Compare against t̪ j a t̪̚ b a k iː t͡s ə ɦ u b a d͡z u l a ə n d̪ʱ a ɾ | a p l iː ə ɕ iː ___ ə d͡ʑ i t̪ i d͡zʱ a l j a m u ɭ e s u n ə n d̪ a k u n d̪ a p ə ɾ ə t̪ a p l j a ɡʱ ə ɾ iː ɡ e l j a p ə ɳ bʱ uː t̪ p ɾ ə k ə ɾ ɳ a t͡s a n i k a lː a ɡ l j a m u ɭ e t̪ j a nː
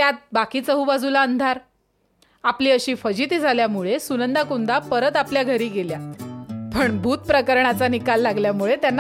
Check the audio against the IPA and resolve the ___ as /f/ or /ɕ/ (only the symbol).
f